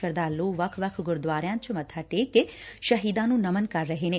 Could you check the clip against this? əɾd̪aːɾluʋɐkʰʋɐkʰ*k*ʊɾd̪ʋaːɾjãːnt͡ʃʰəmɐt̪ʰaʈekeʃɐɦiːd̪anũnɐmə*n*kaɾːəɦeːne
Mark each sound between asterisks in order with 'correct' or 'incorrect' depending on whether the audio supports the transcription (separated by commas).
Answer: incorrect, correct